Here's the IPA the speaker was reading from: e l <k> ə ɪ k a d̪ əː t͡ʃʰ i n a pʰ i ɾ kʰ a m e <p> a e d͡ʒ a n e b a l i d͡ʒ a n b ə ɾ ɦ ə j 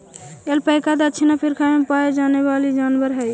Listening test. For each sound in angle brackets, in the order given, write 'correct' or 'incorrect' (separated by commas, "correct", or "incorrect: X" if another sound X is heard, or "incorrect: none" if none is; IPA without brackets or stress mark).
incorrect: p, correct